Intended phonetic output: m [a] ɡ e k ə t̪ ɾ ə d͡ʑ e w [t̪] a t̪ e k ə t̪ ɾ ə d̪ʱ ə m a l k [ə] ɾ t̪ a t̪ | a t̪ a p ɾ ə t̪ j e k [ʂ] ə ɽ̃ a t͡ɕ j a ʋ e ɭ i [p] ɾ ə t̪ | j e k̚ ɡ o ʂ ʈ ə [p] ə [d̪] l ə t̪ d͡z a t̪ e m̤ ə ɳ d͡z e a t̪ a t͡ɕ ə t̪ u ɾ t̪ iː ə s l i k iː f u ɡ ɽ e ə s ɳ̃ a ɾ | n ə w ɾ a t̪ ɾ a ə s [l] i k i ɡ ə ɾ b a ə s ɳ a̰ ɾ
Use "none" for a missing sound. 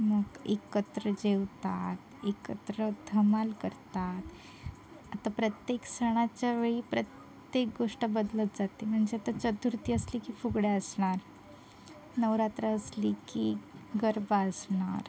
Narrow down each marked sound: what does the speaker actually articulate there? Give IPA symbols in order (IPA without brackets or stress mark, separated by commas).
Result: ə, t̪, ə, s, p, b, d̪, l